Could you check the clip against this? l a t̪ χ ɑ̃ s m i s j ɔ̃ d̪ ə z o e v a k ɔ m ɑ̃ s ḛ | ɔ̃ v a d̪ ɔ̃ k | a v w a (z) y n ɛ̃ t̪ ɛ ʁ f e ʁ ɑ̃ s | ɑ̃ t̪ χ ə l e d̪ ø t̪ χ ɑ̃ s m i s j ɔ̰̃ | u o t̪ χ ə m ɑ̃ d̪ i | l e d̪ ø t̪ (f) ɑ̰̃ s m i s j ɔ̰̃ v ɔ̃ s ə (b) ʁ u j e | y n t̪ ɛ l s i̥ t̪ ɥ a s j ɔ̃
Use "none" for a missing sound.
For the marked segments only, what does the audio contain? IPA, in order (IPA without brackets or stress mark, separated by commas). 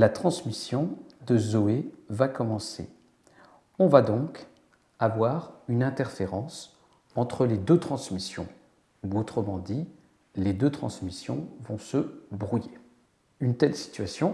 ʁ, χ, b